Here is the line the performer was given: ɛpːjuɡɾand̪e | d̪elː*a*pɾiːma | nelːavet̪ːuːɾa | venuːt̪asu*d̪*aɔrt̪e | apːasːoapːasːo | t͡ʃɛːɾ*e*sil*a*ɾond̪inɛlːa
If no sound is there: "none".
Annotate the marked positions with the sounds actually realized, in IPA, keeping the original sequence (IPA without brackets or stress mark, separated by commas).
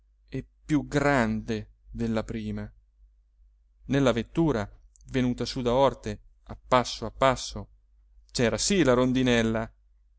a, d̪, a, a